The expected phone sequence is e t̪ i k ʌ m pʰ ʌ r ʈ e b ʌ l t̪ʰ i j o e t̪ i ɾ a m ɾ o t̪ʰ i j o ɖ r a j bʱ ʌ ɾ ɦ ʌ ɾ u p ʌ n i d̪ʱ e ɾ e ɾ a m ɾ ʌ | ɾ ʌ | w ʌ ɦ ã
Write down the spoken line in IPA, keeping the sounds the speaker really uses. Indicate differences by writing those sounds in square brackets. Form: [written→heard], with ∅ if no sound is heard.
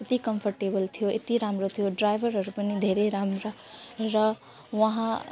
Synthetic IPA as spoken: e t̪ i k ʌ m pʰ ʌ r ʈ e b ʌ l t̪ʰ i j o e t̪ i ɾ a m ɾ o t̪ʰ i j o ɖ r a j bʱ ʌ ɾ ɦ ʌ ɾ u p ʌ n i d̪ʱ e ɾ e ɾ a m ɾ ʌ | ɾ ʌ | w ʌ ɦ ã